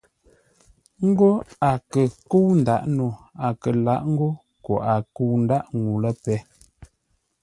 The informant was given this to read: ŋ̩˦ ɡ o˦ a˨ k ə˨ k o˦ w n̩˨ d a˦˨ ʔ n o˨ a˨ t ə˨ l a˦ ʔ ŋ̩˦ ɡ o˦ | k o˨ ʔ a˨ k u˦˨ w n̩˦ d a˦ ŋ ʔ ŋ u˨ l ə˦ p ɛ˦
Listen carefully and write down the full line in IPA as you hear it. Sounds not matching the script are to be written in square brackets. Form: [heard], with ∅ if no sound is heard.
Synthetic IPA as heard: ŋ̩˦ ɡ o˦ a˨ k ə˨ k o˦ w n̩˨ d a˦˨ ʔ n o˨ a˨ [k] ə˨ l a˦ ʔ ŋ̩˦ ɡ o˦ | k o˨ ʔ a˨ k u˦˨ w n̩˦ d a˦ [∅] ʔ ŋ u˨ l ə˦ p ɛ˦